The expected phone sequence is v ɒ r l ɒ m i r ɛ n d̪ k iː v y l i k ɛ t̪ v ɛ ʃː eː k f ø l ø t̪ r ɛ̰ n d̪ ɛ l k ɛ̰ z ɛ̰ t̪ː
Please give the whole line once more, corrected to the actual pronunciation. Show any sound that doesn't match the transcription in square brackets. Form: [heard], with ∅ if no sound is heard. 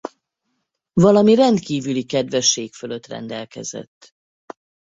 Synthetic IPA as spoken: v ɒ [∅] l ɒ m i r ɛ n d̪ k iː v y l i k ɛ [d̪] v ɛ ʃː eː k f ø l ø t̪ r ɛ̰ n d̪ ɛ l k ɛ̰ z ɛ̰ t̪ː